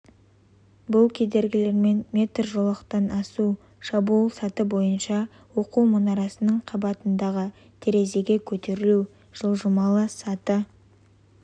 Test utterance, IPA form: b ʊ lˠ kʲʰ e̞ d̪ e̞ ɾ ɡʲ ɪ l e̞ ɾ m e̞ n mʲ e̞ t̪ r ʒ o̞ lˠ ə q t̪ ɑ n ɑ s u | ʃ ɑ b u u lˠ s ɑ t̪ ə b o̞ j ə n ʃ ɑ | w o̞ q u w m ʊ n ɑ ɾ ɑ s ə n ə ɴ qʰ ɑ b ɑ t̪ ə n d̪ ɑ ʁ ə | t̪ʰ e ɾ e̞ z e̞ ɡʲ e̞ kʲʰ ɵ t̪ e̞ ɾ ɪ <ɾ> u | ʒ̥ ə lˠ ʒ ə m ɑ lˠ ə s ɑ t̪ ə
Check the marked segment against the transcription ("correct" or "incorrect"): incorrect